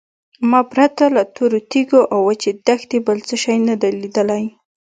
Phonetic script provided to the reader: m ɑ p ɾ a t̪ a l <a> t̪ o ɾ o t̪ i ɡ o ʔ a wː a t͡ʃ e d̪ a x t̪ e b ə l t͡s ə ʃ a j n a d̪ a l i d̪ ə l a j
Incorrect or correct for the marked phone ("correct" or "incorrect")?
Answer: correct